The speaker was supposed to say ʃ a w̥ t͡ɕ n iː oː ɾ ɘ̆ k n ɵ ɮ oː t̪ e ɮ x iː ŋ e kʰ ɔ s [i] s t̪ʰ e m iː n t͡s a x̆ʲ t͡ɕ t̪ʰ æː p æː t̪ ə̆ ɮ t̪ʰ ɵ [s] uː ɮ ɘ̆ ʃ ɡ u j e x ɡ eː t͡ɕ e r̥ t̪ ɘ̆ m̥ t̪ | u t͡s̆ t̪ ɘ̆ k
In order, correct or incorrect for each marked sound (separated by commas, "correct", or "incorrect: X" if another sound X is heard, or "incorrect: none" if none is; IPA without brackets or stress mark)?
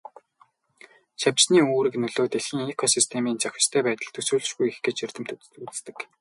correct, correct